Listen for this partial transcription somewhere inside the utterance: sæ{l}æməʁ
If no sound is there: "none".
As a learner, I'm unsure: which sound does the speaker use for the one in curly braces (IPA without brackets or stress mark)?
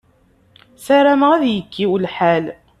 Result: ɾ